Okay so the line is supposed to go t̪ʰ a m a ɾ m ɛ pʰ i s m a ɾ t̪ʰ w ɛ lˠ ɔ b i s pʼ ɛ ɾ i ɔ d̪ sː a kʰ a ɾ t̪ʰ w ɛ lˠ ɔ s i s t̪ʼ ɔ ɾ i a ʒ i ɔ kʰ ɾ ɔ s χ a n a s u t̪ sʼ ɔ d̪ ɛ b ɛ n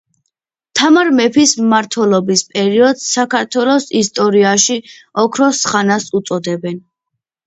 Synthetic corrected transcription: t̪ʰ a m a ɾ m ɛ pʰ i s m a ɾ t̪ʰ w ɛ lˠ ɔ b i s pʼ ɛ ɾ i ɔ d̪ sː a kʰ a ɾ t̪ʰ w ɛ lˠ ɔ s i s t̪ʼ ɔ ɾ i a ʃ i ɔ kʰ ɾ ɔ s χ a n a s u t̪ sʼ ɔ d̪ ɛ b ɛ n